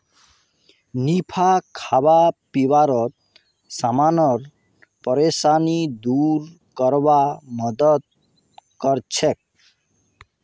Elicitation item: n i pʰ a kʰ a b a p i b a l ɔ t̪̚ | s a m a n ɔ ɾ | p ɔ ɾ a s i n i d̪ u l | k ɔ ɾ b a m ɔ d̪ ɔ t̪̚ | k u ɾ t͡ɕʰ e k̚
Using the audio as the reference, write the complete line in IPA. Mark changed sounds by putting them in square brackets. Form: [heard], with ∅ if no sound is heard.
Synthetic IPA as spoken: n i pʰ a kʰ a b a p i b a [ɾ] ɔ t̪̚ | s a m a n ɔ ɾ | p ɔ ɾ [e] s [a] n i d̪ u [ɾ] | k ɔ ɾ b a m ɔ d̪ ɔ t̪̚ | k [ɔ] ɾ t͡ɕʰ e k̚